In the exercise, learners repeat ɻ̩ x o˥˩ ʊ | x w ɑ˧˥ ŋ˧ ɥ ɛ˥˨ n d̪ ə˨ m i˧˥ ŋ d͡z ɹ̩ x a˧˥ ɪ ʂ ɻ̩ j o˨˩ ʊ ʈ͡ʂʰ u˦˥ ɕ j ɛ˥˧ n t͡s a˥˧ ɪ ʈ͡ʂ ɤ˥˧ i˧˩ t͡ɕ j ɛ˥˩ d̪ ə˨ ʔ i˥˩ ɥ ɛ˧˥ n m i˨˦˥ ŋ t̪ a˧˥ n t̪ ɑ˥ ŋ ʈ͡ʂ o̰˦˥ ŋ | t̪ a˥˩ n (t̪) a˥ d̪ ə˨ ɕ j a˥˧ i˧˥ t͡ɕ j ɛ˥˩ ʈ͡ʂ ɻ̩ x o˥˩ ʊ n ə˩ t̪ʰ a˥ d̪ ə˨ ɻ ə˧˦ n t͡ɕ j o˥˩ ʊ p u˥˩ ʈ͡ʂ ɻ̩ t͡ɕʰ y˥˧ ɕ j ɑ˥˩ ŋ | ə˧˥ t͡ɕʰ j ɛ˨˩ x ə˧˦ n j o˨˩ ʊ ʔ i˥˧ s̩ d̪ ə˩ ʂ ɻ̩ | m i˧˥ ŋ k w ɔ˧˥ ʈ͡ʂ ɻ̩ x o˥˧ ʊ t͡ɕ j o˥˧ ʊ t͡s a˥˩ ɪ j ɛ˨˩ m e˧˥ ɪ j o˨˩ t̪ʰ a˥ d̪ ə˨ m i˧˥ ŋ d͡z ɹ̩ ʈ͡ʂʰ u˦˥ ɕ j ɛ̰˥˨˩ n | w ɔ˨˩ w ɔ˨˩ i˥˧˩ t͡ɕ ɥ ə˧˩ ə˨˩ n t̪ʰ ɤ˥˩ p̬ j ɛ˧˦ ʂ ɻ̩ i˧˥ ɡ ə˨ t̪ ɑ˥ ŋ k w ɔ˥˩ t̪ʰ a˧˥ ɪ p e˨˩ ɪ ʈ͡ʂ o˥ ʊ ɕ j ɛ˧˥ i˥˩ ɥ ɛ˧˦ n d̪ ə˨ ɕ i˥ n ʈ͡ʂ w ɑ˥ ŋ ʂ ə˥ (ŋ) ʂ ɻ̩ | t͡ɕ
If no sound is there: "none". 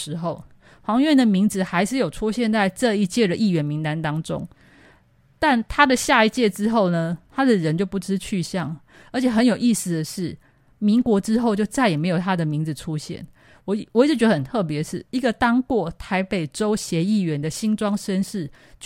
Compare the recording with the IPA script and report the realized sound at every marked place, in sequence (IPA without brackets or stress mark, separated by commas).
t̪ʰ, n